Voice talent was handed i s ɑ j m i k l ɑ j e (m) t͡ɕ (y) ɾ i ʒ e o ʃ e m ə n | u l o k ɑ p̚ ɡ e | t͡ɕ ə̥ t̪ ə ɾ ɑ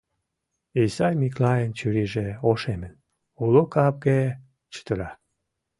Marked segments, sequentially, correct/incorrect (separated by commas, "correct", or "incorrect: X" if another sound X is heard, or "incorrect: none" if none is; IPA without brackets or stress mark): incorrect: n, correct